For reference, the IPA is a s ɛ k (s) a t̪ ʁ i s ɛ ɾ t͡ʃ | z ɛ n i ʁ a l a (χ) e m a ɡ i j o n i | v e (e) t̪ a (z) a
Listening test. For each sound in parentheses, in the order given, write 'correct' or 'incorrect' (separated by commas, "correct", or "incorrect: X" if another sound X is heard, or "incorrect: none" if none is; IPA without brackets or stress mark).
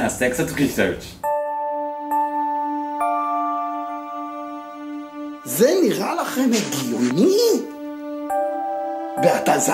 correct, correct, incorrect: a, correct